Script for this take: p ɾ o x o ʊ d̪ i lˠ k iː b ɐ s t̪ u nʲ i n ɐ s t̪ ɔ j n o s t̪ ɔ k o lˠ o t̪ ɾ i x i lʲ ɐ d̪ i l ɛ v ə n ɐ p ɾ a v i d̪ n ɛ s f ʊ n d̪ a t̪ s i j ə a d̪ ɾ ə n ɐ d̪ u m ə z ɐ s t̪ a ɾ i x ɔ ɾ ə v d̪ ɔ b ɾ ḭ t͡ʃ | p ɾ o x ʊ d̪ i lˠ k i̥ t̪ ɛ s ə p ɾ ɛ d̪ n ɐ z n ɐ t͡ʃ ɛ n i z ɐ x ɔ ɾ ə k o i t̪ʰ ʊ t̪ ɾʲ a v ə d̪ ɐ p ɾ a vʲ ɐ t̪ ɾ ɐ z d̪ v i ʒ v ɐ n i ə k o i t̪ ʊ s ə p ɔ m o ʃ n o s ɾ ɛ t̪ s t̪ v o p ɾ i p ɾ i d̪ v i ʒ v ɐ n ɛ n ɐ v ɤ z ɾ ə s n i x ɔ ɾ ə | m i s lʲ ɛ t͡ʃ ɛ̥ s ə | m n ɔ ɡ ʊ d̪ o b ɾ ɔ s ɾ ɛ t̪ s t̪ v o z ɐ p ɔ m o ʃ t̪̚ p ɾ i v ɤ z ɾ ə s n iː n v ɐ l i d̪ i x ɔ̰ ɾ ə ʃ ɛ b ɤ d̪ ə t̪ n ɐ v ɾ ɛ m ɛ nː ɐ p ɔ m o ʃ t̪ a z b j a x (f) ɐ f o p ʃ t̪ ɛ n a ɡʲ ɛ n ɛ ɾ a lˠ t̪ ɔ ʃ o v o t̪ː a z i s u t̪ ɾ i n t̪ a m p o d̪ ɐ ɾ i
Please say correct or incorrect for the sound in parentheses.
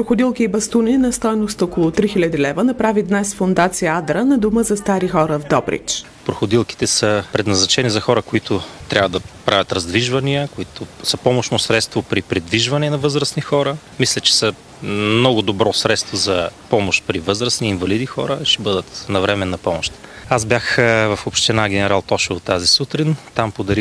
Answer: incorrect: v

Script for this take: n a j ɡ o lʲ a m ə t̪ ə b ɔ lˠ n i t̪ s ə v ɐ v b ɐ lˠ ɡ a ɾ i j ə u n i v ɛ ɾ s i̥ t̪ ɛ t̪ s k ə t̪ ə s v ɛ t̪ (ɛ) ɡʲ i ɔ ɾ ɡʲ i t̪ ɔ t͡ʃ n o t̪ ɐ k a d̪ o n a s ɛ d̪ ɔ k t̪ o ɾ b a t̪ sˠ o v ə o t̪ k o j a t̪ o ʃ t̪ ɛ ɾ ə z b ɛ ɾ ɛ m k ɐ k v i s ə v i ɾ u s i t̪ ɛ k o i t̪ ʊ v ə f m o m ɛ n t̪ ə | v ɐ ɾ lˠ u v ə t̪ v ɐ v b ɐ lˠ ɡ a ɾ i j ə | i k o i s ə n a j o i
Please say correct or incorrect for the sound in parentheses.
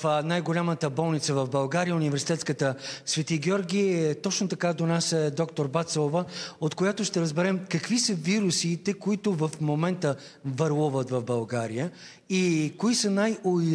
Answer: incorrect: i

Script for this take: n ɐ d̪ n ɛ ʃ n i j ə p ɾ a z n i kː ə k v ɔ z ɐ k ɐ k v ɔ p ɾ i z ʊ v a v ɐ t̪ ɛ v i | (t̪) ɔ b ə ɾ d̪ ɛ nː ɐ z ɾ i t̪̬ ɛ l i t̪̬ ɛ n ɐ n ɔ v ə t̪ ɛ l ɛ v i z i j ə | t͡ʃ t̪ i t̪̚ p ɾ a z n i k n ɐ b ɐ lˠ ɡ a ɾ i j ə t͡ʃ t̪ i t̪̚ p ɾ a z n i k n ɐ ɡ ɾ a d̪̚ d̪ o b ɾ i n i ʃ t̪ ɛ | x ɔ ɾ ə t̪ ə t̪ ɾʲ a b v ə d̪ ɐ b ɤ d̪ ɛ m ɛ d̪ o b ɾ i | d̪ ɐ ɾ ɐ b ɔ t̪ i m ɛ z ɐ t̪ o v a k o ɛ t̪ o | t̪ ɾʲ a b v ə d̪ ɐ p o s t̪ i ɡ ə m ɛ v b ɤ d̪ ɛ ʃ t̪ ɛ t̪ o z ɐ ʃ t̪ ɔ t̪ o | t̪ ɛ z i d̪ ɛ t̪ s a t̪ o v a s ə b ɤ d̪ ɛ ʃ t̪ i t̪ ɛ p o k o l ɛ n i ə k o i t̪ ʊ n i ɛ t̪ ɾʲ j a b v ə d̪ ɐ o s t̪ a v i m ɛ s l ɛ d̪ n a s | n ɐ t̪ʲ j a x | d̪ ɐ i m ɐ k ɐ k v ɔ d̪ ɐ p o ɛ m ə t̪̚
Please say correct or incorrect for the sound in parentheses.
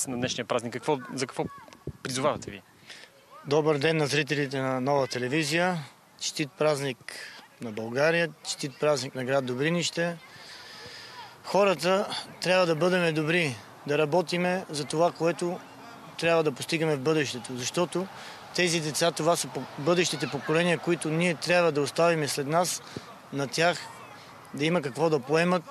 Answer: incorrect: d̪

